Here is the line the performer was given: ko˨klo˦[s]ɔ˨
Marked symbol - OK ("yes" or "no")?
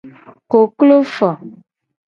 no